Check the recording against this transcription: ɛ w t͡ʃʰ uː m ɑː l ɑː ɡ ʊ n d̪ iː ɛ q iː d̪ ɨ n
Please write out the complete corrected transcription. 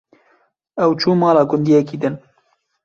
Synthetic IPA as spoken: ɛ w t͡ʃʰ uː m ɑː l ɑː ɡ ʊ n d̪ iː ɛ k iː d̪ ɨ n